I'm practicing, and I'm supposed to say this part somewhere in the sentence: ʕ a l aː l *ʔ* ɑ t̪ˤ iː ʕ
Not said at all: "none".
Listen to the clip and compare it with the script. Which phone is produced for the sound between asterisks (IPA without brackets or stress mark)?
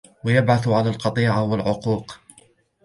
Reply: q